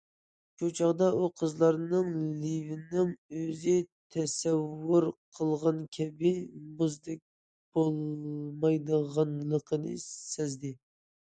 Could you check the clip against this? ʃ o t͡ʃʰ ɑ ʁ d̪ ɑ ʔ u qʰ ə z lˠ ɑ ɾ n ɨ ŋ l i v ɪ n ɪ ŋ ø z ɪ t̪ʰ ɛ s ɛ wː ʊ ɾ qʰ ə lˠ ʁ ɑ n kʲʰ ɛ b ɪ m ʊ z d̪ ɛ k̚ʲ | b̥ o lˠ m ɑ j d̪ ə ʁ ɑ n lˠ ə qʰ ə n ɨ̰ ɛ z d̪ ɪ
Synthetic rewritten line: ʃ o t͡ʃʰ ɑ ʁ d̪ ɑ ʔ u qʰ ə z lˠ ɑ ɾ n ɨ ŋ l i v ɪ n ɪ ŋ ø z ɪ t̪ʰ ɛ s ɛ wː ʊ ɾ qʰ ə lˠ ʁ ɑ n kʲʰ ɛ b ɪ m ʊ z d̪ ɛ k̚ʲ | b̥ o lˠ m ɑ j d̪ ə ʁ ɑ n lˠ ə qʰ ə n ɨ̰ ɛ z d̪ ɪ